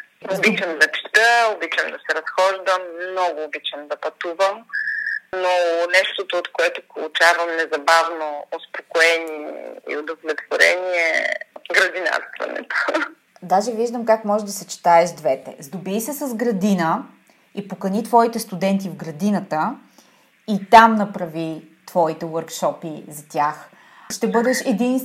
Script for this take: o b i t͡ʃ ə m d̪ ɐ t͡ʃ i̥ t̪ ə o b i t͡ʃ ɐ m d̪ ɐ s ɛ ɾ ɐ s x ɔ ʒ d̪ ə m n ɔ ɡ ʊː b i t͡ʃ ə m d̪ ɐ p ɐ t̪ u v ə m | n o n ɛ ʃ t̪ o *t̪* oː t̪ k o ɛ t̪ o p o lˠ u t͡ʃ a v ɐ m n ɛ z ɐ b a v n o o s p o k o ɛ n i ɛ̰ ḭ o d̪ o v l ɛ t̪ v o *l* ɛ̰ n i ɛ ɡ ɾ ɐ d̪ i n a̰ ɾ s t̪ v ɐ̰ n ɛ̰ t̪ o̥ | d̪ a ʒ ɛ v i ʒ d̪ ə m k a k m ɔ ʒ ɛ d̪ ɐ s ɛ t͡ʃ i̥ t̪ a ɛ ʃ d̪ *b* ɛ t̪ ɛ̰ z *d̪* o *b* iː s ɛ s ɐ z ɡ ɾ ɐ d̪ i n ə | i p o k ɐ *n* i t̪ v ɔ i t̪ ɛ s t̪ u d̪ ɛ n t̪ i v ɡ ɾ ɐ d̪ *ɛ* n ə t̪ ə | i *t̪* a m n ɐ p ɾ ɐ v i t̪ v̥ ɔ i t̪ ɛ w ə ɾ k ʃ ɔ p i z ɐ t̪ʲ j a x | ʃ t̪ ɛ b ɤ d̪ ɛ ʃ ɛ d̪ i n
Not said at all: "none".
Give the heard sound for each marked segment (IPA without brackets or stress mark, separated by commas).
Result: t̪, ɾ, v, d̪, b, n, i, t̪